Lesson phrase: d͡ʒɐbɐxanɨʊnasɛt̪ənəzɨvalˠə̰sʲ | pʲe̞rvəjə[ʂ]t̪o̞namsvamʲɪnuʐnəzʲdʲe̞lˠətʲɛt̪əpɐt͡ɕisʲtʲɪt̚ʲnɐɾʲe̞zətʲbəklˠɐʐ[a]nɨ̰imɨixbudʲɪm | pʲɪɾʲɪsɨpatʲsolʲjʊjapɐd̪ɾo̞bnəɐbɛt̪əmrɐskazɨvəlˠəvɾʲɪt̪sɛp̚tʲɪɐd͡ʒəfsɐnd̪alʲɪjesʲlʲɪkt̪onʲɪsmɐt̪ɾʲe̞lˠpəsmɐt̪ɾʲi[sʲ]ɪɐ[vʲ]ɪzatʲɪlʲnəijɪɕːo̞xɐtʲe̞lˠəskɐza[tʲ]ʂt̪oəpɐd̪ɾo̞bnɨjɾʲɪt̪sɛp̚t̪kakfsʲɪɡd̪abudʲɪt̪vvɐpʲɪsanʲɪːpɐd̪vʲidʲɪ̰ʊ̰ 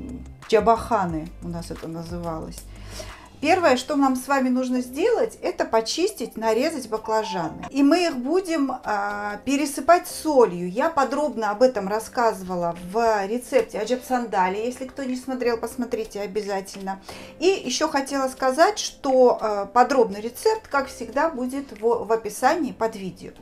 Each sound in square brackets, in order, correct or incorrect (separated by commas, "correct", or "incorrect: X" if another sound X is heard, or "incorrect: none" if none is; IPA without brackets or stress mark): correct, correct, incorrect: tʲ, incorrect: bʲ, correct